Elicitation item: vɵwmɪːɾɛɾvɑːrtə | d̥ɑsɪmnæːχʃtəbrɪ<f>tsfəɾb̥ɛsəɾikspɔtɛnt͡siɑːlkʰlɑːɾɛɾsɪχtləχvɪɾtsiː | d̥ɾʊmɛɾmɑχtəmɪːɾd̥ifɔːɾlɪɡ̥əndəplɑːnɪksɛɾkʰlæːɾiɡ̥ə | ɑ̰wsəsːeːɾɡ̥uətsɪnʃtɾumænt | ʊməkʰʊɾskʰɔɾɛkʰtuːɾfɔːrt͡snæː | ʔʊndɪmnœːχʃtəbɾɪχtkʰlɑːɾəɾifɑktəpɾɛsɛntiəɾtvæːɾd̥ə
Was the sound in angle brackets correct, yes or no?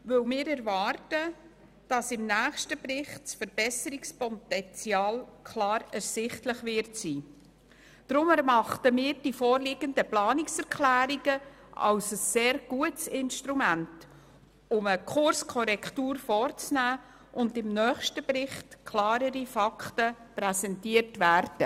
no